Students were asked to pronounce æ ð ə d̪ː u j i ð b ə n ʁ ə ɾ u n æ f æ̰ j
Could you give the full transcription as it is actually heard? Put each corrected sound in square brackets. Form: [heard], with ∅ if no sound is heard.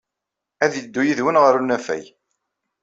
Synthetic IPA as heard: æ ð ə d̪ː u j i ð [w] ə n ʁ ə ɾ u n æ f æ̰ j